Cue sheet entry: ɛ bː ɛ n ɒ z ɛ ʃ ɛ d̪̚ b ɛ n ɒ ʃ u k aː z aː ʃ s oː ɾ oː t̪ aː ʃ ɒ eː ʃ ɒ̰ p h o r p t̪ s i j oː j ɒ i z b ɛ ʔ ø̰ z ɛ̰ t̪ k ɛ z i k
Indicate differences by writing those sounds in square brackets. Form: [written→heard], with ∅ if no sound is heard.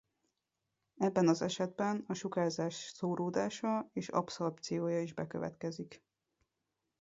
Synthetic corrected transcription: ɛ bː ɛ n ɒ z ɛ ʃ ɛ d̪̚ b ɛ n ɒ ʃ u k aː z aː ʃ s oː ɾ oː [t̪→d̪] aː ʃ ɒ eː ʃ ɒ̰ p [h→s] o r p t̪ s i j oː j ɒ i [z→ʒ] b ɛ [ʔ→k] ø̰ [z→v] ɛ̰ t̪ k ɛ z i k